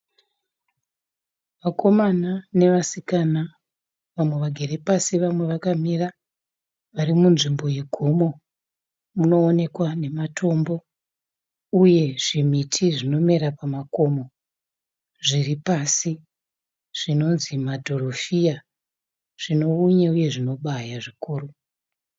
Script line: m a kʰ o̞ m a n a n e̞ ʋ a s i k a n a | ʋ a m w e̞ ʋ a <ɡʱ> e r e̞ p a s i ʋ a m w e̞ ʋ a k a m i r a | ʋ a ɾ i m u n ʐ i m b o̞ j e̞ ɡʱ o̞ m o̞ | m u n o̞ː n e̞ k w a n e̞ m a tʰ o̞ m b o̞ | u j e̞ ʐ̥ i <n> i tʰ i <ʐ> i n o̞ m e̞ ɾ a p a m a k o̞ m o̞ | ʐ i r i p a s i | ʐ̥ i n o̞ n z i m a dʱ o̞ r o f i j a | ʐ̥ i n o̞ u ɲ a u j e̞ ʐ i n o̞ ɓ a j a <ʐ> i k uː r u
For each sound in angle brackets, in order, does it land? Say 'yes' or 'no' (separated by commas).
yes, no, yes, yes